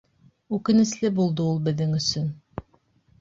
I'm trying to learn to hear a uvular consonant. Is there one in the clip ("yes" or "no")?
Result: no